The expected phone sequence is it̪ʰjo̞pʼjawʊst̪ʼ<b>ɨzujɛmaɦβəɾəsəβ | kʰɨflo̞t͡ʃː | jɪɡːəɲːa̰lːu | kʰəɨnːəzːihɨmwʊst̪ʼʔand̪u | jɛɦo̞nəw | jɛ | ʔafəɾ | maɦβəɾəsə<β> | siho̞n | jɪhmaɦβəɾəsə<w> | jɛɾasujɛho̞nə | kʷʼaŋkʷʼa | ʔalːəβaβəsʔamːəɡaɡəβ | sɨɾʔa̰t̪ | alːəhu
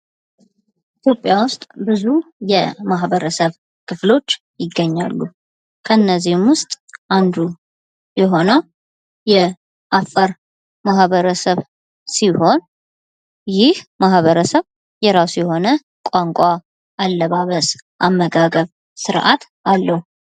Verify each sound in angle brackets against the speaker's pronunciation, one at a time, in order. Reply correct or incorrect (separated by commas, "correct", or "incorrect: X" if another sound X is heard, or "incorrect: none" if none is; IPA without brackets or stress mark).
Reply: correct, correct, incorrect: β